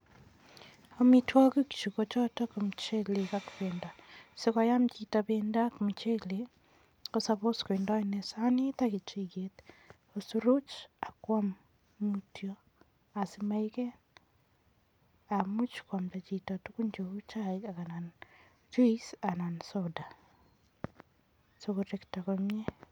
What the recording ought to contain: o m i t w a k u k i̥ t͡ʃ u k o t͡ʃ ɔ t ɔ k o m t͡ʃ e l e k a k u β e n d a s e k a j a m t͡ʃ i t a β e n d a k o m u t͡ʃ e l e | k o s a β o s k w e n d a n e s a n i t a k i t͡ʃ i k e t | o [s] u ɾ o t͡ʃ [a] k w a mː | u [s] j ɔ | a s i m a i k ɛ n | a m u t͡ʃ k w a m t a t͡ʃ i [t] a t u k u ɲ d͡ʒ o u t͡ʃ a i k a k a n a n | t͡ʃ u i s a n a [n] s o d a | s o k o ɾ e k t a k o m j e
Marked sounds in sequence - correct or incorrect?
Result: correct, correct, incorrect: t, correct, correct

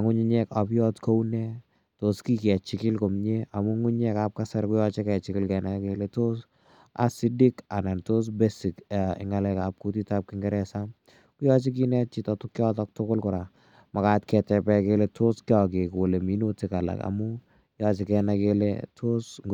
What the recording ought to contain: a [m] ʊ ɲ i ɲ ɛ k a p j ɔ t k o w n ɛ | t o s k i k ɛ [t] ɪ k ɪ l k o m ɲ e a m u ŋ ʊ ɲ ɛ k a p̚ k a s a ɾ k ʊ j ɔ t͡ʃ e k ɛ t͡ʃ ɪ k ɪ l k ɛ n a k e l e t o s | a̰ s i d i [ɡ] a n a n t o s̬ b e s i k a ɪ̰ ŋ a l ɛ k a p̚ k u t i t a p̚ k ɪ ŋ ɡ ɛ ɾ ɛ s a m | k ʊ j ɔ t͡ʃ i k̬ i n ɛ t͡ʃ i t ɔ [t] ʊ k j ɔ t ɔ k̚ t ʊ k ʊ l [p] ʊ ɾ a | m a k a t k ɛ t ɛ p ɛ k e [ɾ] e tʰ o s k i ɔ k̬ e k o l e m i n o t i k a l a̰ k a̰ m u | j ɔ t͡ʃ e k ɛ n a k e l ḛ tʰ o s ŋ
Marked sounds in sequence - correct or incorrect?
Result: incorrect: ŋ, incorrect: t͡ʃ, incorrect: k, correct, incorrect: k, incorrect: l

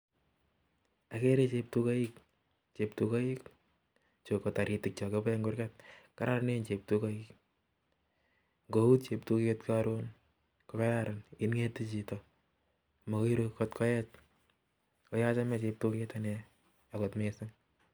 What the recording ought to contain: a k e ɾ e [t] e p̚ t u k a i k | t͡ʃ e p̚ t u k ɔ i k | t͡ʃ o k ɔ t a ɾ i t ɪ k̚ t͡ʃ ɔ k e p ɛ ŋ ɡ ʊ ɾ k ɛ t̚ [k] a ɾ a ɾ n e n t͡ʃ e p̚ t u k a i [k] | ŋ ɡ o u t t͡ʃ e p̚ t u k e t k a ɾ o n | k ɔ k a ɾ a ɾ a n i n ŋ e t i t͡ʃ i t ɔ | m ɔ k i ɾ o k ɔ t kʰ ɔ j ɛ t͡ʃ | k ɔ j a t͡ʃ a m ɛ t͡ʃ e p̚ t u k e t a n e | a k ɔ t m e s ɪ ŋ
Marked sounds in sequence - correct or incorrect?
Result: incorrect: t͡ʃ, correct, correct

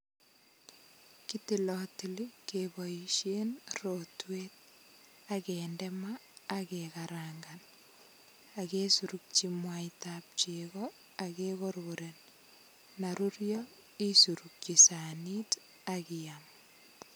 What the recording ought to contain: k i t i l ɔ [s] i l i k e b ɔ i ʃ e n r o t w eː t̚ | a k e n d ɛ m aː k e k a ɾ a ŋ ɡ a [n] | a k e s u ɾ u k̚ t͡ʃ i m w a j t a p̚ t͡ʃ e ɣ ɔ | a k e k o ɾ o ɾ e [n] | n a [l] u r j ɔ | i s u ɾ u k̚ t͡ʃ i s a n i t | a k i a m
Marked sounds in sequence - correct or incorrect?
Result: incorrect: t, correct, correct, incorrect: ɾ

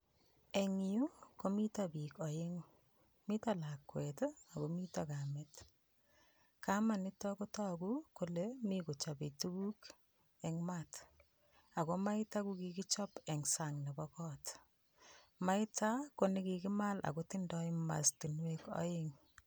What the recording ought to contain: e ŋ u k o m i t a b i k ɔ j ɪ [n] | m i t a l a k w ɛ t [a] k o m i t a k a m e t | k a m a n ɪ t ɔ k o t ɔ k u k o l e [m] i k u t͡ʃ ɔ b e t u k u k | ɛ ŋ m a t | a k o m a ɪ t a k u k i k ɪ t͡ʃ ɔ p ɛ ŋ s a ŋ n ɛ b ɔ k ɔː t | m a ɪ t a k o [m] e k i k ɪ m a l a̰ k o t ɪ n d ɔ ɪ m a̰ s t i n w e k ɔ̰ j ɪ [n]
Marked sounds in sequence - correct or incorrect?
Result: incorrect: ŋ, correct, correct, incorrect: n, incorrect: ŋ

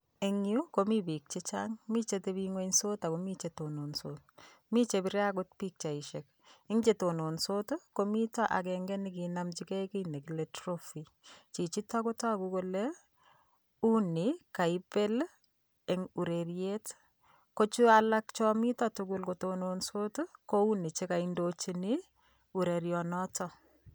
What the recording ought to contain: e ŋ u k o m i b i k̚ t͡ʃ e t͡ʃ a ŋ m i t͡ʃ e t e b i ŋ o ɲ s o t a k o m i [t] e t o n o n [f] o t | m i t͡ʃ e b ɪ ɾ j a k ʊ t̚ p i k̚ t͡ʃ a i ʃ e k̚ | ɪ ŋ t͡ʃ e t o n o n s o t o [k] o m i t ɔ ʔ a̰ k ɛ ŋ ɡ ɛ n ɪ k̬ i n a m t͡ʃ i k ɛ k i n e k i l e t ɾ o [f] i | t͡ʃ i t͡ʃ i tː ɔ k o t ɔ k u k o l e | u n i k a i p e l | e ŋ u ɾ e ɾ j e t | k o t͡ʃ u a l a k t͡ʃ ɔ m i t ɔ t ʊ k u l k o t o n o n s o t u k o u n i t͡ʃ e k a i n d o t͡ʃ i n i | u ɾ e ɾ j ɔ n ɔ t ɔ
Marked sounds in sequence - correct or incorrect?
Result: incorrect: t͡ʃ, incorrect: s, correct, correct

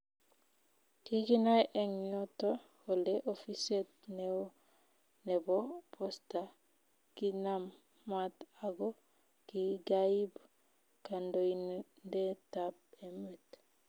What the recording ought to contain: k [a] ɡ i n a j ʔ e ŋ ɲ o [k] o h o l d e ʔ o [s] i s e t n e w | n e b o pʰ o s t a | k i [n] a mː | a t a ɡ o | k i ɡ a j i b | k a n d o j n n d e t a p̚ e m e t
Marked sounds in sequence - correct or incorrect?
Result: incorrect: i, incorrect: t, incorrect: f, correct

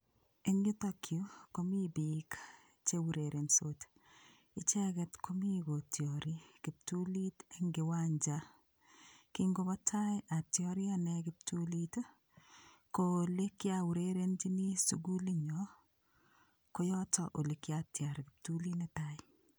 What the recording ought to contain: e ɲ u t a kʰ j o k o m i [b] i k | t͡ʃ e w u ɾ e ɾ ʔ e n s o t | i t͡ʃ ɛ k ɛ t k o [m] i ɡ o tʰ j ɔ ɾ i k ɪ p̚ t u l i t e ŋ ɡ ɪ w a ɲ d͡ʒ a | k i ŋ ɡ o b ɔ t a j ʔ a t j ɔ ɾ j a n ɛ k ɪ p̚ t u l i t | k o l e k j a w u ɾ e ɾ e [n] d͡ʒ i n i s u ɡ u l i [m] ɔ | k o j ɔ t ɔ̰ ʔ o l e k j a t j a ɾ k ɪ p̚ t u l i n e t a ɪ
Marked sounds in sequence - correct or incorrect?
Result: correct, correct, correct, incorrect: ɲ

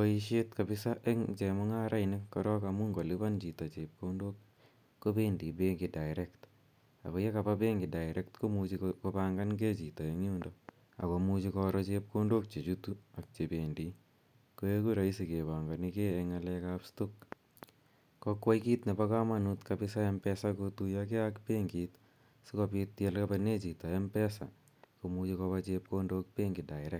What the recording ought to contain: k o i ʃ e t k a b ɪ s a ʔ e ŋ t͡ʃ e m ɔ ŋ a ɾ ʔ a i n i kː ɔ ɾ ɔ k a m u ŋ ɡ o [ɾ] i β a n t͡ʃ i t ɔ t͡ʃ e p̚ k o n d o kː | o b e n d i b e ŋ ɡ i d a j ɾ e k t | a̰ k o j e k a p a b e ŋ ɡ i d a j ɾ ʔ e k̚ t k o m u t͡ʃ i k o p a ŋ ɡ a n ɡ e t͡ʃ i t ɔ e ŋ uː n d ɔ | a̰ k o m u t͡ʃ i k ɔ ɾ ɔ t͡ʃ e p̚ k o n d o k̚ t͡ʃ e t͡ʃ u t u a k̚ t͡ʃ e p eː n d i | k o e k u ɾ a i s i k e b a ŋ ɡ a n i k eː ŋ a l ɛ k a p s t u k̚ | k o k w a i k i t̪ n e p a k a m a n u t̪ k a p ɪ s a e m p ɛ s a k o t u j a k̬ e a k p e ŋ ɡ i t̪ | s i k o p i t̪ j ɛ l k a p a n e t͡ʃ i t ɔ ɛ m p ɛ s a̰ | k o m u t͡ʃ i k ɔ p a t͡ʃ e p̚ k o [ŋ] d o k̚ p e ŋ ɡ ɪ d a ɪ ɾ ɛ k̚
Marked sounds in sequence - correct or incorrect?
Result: incorrect: l, incorrect: n

